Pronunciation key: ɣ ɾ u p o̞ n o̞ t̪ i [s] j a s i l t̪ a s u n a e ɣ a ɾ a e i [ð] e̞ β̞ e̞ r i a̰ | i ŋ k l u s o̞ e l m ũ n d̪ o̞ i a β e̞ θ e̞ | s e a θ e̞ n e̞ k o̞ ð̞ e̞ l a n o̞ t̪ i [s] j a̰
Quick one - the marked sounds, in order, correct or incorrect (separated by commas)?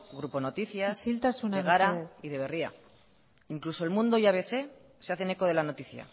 incorrect, correct, incorrect